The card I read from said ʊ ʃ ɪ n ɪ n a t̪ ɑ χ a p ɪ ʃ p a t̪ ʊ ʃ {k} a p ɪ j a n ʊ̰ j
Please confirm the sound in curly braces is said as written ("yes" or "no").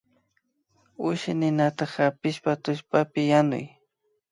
no